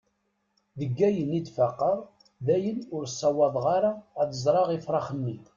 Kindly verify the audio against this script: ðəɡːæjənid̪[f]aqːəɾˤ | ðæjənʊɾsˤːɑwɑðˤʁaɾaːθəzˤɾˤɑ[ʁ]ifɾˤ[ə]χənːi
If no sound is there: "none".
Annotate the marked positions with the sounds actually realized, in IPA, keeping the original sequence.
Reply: f, ʁ, ɑ

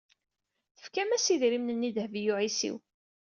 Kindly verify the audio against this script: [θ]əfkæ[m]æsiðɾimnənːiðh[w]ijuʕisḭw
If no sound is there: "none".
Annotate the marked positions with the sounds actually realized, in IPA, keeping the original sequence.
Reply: θ, m, v

